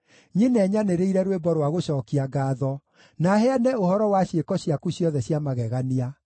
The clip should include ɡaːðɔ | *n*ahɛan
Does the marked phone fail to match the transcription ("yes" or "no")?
no